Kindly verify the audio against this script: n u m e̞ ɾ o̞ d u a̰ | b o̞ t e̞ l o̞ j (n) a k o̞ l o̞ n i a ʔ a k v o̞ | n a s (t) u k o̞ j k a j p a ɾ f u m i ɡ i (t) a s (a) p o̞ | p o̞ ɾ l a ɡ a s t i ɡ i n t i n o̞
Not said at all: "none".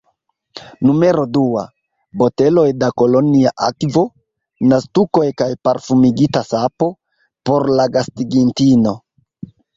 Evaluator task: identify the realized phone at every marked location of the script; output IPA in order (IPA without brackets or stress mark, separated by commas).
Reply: d, t, t, a